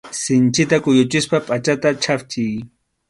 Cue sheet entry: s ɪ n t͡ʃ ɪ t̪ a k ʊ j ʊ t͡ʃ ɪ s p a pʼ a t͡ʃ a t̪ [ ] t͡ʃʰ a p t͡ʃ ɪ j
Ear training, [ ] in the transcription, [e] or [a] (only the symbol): a